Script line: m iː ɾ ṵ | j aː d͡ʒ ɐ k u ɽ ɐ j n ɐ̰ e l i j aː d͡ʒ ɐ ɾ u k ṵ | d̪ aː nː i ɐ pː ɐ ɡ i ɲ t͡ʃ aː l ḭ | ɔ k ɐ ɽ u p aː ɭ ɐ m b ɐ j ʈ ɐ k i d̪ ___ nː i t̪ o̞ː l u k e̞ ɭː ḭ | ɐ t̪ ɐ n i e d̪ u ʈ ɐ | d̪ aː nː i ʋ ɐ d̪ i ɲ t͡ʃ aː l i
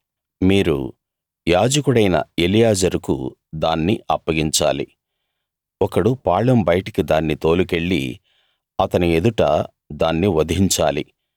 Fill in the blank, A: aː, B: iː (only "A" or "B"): A